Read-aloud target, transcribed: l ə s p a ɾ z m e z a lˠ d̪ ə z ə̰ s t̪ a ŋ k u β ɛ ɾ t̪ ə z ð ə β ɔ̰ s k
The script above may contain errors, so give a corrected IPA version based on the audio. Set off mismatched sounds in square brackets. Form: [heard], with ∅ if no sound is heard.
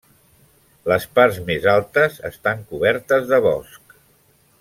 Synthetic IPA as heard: l ə s p a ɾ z m e z a lˠ [t̪] ə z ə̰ s t̪ a ŋ k u β ɛ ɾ t̪ ə z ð ə β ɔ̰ s k